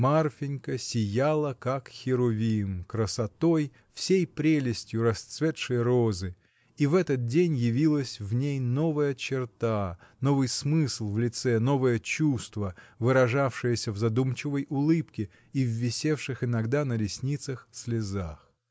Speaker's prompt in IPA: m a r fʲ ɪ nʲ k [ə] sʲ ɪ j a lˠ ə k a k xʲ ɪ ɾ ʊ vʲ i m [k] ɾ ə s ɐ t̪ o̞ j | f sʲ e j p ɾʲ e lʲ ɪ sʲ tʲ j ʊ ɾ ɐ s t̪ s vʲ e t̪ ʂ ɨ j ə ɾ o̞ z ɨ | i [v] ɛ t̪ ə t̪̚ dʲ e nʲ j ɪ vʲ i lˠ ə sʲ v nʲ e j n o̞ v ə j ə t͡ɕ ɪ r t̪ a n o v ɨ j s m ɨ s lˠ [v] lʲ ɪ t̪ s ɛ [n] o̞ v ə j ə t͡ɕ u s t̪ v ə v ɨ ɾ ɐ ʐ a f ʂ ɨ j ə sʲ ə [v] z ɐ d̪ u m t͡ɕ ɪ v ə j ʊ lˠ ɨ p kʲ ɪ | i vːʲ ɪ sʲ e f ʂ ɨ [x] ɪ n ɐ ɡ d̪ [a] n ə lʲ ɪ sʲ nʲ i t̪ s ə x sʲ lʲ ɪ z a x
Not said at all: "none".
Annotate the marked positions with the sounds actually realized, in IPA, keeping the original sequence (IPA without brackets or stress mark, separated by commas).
ə, k, v, v, n, v, x, a